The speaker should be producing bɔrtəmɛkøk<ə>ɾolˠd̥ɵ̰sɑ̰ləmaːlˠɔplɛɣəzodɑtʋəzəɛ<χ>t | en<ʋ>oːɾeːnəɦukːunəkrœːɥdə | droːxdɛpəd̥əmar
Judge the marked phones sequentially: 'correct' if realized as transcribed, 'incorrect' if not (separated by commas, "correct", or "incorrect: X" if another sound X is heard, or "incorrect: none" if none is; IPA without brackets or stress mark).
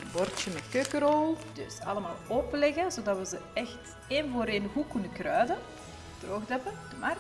correct, incorrect: x, incorrect: v